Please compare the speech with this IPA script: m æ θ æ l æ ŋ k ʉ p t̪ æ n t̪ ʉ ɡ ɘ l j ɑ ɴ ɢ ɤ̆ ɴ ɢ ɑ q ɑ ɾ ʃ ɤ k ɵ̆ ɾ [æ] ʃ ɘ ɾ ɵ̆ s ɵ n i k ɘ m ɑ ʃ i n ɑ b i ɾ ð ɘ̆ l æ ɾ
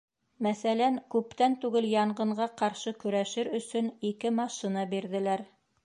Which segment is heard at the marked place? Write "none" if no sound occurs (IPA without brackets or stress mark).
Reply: æ